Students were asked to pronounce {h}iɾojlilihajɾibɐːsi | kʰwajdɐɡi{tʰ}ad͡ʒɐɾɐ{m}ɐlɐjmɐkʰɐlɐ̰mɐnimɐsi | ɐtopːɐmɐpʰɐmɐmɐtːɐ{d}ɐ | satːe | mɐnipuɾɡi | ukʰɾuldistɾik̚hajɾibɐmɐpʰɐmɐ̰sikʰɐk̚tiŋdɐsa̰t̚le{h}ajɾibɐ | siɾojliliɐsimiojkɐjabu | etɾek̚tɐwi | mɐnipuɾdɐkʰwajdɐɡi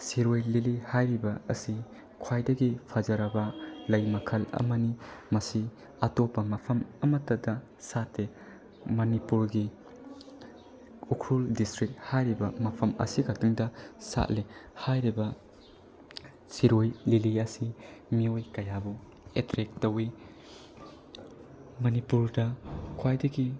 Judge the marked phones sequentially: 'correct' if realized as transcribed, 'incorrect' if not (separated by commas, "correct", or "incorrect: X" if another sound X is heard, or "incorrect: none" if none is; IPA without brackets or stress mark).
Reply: incorrect: s, incorrect: pʰ, incorrect: b, correct, correct